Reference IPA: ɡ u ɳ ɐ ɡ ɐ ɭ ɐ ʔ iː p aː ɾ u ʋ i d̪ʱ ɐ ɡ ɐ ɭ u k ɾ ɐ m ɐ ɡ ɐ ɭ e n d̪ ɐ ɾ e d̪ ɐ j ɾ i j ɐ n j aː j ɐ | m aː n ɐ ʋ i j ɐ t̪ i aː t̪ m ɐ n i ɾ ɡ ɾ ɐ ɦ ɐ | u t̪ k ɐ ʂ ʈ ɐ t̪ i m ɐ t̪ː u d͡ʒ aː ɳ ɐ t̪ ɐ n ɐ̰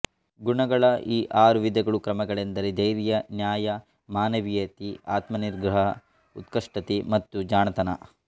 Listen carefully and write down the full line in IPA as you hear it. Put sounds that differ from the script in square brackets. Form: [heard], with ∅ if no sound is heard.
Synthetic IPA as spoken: ɡ u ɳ ɐ ɡ ɐ ɭ ɐ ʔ iː [ʔ] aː ɾ u ʋ i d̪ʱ ɐ ɡ ɐ ɭ u k ɾ ɐ m ɐ ɡ ɐ ɭ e n d̪ ɐ ɾ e d̪ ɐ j ɾ i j ɐ n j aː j ɐ | m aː n ɐ ʋ i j ɐ t̪ i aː t̪ m ɐ n i ɾ ɡ ɾ ɐ ɦ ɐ | u t̪ k ɐ ʂ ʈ ɐ t̪ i m ɐ t̪ː u d͡ʒ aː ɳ ɐ t̪ ɐ n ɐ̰

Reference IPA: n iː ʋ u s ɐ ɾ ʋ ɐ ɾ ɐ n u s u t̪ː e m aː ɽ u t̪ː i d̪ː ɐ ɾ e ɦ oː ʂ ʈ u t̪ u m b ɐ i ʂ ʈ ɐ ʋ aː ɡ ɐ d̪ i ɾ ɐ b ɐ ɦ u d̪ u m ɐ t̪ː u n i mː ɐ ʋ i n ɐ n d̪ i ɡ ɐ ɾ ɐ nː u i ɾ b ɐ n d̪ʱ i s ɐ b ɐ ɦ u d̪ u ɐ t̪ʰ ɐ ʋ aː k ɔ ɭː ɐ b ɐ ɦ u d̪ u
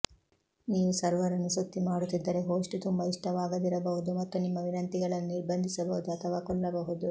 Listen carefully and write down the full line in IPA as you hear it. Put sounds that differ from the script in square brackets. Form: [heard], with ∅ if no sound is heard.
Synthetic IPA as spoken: n iː ʋ u s ɐ ɾ ʋ ɐ ɾ ɐ n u s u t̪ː [i] m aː ɽ u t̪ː i d̪ː ɐ ɾ e ɦ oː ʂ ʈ u t̪ u m b ɐ i ʂ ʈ ɐ ʋ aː ɡ ɐ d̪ i ɾ ɐ b ɐ ɦ u d̪ u m ɐ t̪ː u n i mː ɐ ʋ i n ɐ n [t̪] i ɡ ɐ [ɭ] ɐ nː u i ɾ b ɐ n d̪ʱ i s ɐ b ɐ ɦ u d̪ u ɐ t̪ʰ ɐ ʋ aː k ɔ ɭː ɐ b ɐ ɦ u d̪ u

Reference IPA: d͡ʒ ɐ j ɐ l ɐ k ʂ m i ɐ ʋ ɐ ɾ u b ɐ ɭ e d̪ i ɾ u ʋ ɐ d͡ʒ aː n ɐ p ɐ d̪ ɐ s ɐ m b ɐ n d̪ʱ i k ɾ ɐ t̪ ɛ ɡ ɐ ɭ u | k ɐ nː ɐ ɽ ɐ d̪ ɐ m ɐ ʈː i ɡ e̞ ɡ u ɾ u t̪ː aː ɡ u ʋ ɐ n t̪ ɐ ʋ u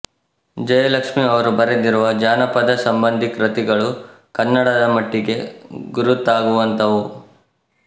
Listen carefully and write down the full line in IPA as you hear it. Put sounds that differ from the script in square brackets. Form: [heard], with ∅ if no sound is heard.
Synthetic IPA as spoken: d͡ʒ ɐ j ɐ l ɐ k ʂ m i ɐ ʋ ɐ ɾ u b ɐ [ɾ] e d̪ i ɾ u ʋ ɐ d͡ʒ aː n ɐ p ɐ d̪ ɐ s ɐ m b ɐ n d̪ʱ i k ɾ ɐ t̪ [i] ɡ ɐ ɭ u | k ɐ nː ɐ ɽ ɐ d̪ ɐ m ɐ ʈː i ɡ e̞ ɡ u ɾ u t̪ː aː ɡ u ʋ ɐ n t̪ ɐ ʋ u

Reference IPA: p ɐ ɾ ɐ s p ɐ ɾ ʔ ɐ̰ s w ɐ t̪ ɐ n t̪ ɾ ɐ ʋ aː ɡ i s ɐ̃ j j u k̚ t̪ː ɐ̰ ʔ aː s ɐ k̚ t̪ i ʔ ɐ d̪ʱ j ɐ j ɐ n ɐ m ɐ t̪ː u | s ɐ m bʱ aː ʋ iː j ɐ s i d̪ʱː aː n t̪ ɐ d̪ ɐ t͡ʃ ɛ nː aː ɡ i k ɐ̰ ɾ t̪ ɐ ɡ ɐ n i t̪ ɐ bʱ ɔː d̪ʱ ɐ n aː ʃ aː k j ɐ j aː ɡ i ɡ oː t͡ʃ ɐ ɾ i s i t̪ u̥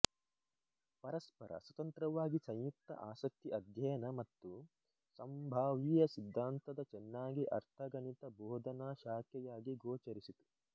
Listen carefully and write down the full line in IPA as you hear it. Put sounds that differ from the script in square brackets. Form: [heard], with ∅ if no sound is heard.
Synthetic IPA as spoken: p ɐ ɾ ɐ s p ɐ ɾ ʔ ɐ̰ s w ɐ t̪ ɐ n t̪ ɾ ɐ ʋ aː ɡ i s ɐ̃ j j u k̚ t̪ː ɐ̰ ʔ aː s ɐ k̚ t̪ i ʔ ɐ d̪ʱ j ɐ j ɐ n ɐ m ɐ t̪ː u | s ɐ m bʱ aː ʋ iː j ɐ s i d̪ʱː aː n t̪ ɐ d̪ ɐ t͡ʃ ɛ nː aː ɡ i [ʔ] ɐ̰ ɾ [t̪ʰ] ɐ ɡ ɐ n i t̪ ɐ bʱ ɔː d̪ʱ ɐ n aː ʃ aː k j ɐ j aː ɡ i ɡ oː t͡ʃ ɐ ɾ i s i t̪ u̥

